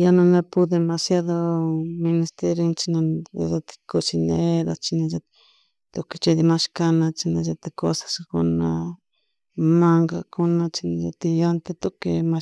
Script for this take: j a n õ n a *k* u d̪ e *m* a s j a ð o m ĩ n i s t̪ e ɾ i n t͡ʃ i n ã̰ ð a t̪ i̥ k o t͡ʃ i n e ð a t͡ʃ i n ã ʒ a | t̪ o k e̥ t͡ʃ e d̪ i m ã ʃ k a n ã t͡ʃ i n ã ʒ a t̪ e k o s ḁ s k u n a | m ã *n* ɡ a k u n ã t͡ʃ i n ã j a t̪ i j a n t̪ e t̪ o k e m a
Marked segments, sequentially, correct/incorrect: incorrect, correct, incorrect

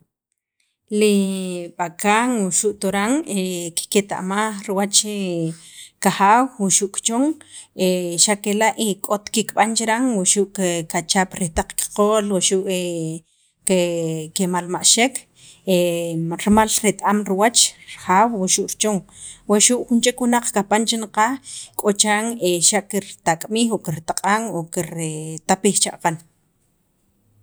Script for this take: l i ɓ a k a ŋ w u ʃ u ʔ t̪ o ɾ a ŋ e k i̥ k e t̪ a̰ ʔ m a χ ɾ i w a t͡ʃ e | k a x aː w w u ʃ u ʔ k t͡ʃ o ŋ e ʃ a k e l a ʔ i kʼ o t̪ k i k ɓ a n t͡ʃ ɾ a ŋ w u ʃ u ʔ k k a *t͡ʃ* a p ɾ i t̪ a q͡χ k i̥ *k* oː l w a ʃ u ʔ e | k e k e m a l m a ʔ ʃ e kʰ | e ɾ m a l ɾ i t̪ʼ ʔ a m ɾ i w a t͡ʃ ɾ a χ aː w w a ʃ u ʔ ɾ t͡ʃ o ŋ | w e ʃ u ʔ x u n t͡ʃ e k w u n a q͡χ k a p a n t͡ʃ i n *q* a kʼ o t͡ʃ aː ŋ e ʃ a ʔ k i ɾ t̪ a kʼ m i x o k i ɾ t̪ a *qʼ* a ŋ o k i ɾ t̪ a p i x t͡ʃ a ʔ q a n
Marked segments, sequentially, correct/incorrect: correct, incorrect, correct, correct

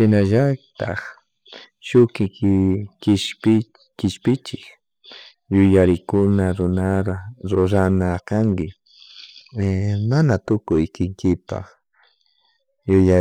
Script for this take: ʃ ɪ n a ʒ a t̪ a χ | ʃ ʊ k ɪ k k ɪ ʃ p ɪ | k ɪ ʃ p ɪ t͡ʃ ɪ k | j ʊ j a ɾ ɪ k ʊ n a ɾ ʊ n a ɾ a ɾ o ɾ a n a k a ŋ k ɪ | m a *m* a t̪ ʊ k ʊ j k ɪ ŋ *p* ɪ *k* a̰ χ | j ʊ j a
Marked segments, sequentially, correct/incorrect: incorrect, incorrect, incorrect

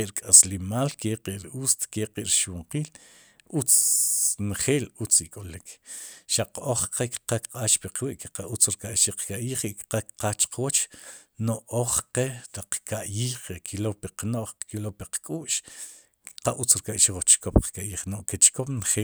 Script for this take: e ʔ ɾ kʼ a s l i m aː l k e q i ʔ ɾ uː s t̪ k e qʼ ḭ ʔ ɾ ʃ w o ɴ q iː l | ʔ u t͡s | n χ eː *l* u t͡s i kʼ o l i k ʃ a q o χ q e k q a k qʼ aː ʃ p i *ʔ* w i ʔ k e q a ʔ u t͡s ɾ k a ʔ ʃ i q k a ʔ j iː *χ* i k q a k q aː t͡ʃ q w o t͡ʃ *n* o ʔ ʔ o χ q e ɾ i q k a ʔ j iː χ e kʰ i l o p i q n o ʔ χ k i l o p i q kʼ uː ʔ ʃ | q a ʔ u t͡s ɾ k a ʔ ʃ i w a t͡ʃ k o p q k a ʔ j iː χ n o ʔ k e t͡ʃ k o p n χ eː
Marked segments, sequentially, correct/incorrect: correct, incorrect, correct, correct

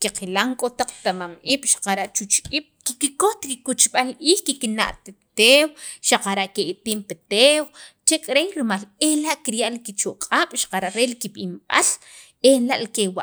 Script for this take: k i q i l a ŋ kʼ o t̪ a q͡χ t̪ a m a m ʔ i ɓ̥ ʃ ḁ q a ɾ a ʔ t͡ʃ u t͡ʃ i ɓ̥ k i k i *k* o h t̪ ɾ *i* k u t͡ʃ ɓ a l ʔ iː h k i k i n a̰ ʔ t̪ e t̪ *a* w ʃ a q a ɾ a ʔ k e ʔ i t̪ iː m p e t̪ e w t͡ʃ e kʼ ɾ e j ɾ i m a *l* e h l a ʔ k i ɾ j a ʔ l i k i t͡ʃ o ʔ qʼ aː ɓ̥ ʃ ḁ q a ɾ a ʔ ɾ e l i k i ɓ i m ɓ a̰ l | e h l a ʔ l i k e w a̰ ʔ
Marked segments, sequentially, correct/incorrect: correct, correct, incorrect, correct

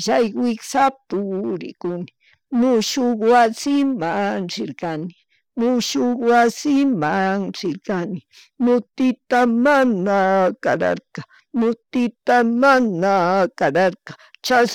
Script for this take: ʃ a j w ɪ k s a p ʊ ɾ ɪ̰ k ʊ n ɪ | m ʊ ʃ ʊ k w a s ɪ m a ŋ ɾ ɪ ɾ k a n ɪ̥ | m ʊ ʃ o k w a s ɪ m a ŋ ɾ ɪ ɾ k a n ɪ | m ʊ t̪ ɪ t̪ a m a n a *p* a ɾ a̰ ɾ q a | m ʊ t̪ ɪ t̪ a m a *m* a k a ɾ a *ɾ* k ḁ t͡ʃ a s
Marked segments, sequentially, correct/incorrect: incorrect, incorrect, correct

